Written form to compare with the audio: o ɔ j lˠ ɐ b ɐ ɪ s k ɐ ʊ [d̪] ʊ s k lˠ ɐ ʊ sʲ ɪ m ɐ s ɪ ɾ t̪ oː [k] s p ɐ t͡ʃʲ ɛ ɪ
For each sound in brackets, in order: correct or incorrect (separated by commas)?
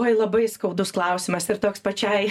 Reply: correct, correct